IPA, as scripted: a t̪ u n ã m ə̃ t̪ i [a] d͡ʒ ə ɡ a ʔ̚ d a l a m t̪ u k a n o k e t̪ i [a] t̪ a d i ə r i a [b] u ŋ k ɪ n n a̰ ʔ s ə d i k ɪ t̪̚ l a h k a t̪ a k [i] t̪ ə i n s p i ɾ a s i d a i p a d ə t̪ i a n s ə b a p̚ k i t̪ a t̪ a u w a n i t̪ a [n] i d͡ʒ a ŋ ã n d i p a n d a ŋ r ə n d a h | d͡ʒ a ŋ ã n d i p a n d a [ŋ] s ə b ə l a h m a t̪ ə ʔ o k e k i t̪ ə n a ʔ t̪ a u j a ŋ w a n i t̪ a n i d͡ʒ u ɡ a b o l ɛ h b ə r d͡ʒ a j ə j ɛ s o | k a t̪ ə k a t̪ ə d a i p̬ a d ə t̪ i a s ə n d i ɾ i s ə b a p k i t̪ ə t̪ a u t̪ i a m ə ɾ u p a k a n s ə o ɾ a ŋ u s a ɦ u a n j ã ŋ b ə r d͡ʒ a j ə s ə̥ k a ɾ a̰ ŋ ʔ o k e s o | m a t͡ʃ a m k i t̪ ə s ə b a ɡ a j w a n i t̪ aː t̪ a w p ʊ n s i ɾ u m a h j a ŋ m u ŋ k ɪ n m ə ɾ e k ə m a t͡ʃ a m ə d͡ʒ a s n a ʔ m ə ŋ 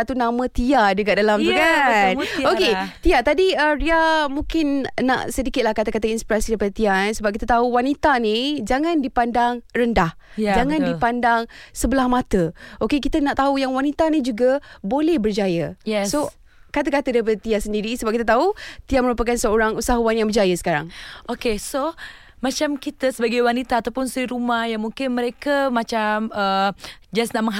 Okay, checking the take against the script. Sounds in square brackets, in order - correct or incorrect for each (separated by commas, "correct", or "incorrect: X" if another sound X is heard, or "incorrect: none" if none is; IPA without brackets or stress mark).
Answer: correct, correct, incorrect: m, incorrect: a, correct, correct